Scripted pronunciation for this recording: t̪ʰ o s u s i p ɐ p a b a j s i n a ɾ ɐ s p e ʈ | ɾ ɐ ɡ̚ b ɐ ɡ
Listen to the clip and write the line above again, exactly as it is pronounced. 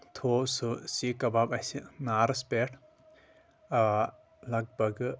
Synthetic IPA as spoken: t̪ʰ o s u s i k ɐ b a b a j s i n a ɾ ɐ s p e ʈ | l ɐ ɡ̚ b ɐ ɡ